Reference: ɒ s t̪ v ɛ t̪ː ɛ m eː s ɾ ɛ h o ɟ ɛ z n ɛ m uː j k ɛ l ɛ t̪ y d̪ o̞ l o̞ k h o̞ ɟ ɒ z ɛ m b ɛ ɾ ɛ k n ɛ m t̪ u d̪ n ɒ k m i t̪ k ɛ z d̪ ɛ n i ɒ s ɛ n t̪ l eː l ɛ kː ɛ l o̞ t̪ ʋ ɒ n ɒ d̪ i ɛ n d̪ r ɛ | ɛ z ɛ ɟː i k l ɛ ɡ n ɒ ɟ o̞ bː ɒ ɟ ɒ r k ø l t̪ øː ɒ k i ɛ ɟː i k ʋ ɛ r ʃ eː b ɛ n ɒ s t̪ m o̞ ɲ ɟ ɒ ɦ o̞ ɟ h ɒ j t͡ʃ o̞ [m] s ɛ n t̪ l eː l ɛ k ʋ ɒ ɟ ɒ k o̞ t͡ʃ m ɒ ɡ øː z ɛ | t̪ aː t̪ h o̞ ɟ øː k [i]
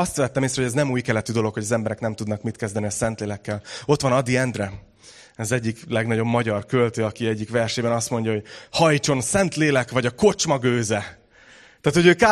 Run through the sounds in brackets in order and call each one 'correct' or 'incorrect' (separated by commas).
incorrect, incorrect